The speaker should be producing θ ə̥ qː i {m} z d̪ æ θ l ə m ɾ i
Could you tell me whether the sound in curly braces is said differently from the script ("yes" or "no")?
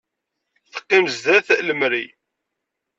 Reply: no